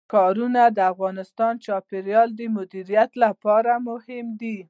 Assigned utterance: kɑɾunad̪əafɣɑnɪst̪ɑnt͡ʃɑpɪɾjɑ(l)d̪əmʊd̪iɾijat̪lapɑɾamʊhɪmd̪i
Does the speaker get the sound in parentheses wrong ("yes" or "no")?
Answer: no